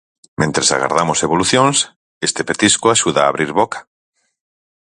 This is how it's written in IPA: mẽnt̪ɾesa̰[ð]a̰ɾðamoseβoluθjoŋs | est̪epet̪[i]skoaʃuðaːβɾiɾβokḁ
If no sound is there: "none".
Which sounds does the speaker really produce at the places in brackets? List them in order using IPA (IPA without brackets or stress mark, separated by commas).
ɣ, i